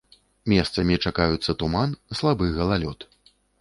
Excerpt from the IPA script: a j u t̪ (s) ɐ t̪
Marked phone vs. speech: incorrect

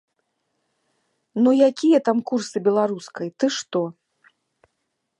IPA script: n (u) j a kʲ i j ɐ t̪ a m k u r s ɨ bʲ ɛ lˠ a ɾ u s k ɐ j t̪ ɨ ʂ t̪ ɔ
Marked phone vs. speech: correct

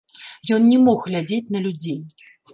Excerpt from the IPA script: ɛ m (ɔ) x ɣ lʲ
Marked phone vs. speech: correct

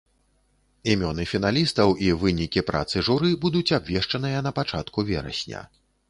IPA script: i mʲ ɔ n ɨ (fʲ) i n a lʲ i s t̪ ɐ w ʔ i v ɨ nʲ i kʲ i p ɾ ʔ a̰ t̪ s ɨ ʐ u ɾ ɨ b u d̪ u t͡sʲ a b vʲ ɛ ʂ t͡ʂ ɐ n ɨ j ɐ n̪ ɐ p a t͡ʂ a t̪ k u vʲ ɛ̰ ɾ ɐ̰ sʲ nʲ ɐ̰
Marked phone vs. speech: correct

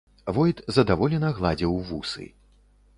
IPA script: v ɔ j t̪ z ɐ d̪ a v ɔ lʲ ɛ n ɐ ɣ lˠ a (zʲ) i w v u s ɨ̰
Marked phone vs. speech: incorrect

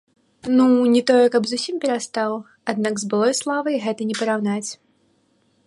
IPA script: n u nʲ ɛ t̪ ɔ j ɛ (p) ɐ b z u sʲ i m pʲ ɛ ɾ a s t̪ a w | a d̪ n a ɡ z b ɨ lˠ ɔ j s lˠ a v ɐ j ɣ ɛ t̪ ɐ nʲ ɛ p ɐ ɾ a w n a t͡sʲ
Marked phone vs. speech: incorrect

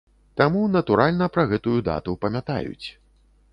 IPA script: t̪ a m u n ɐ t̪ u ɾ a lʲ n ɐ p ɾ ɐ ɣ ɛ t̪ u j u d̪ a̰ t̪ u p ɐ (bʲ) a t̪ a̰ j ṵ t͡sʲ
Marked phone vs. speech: incorrect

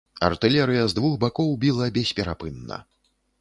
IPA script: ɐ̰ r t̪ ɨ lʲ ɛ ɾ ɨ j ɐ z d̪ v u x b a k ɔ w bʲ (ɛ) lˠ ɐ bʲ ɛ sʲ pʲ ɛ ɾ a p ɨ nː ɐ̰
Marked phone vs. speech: incorrect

